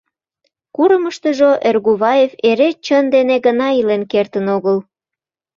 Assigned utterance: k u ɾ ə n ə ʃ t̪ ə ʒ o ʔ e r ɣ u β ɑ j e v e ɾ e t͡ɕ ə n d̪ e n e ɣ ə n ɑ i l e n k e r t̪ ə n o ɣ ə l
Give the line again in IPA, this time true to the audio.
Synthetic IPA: k u ɾ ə m ə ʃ t̪ ə ʒ o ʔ e r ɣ u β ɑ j e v e ɾ e t͡ɕ ə n d̪ e n e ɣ ə n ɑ i l e n k e r t̪ ə n o ɣ ə l

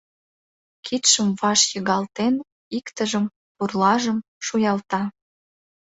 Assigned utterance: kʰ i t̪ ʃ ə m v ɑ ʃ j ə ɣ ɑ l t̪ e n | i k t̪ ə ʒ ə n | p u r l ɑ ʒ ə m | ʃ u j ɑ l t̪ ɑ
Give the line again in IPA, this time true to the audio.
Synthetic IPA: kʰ i t̪ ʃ ə m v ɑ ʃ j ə ɣ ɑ l t̪ e n | i k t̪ ə ʒ ə m | p u r l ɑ ʒ ə m | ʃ u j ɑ l t̪ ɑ

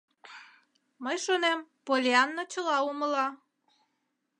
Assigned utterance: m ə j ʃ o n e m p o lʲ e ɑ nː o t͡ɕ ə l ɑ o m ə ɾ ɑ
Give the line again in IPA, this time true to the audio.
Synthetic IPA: m ə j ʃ o n e m p o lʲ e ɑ nː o t͡ɕ ə l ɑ u m ə l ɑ

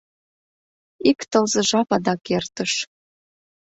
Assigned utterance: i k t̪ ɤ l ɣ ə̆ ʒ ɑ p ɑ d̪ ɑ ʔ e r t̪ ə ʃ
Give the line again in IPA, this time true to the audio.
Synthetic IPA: i k t̪ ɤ l z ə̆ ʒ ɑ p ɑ d̪ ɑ k e r t̪ ə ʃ

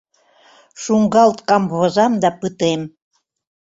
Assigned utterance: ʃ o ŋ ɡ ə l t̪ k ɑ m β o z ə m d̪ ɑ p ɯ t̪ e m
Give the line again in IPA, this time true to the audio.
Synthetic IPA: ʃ u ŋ ɡ ɑ l t̪ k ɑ m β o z ɑ m d̪ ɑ p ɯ t̪ e m

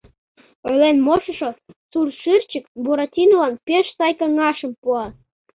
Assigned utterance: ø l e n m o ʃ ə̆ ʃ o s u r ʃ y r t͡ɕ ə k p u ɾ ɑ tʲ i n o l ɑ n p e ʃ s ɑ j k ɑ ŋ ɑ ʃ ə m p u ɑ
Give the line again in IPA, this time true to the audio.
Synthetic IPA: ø l e n m o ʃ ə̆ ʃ o s u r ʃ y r t͡ɕ ə k b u ɾ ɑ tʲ i n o l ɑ n p e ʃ s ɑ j k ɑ ŋ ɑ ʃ ə m p u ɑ

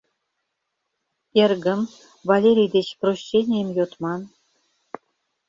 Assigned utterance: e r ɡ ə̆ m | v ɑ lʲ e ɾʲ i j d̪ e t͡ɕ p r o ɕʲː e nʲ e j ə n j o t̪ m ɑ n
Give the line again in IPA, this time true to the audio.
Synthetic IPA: e r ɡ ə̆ m | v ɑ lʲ e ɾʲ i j d̪ e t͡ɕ p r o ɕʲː e nʲ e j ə m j o t̪ m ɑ n

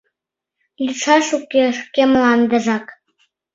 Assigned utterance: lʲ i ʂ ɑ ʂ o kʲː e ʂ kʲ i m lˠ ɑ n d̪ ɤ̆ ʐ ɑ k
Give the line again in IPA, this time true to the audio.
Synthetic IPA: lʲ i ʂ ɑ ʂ u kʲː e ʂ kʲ e m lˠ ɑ n d̪ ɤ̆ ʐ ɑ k

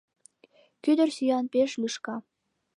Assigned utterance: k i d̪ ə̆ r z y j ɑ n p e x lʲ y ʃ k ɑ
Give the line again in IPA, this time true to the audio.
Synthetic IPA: k y d̪ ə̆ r s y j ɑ n p e ʃ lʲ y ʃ k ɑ

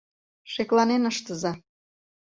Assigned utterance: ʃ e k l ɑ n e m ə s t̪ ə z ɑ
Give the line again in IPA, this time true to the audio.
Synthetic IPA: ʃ e k l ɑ n e n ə ʃ t̪ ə z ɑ

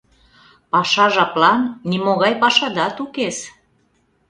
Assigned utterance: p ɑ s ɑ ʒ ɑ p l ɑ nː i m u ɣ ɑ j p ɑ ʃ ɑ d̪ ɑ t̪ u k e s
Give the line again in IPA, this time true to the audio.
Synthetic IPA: p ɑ ʃ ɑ ʒ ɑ p l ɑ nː i m o ɣ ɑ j p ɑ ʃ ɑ d̪ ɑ t̪ u k e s

